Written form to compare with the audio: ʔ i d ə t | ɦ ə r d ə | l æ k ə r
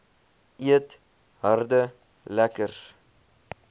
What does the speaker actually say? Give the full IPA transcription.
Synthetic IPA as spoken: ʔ i ə t | ɦ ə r d ə | l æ k ə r